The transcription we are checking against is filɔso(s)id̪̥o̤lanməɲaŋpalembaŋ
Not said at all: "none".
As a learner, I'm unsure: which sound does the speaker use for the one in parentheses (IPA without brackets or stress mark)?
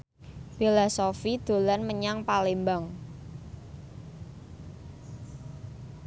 f